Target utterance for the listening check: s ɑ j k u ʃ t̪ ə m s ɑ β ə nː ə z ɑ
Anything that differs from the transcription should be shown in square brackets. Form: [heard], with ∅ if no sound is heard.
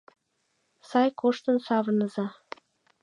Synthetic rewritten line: s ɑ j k [o] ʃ t̪ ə [n] s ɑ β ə [n] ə z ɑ